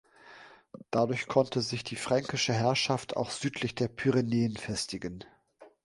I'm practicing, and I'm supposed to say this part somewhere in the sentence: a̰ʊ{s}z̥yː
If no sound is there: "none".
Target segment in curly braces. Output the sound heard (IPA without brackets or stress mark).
x